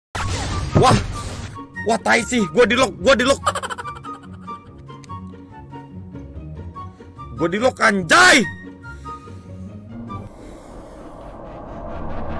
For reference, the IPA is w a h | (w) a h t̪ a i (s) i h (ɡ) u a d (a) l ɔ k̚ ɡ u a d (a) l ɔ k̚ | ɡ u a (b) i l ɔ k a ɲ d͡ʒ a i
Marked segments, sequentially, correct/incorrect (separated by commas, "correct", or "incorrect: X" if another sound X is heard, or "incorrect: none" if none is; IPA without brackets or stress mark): correct, correct, correct, incorrect: i, incorrect: i, incorrect: d